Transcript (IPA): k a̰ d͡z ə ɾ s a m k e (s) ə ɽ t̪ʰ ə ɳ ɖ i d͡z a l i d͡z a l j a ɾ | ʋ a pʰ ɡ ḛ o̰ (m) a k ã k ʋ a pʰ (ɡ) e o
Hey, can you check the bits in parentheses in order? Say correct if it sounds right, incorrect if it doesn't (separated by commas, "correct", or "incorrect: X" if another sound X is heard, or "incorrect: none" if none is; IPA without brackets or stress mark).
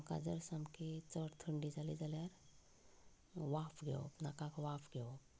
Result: incorrect: t͡s, incorrect: n, correct